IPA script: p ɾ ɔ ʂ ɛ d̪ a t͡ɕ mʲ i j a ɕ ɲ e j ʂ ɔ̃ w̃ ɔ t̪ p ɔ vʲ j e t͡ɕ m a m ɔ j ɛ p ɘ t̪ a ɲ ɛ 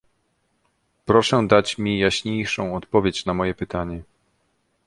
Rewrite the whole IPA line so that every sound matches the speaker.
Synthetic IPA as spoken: p ɾ ɔ ʂ ɛ d̪ a t͡ɕ mʲ i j a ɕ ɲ e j ʂ ɔ̃ w̃ ɔ t̪ p ɔ vʲ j e t͡ɕ n a m ɔ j ɛ p ɘ t̪ a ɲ ɛ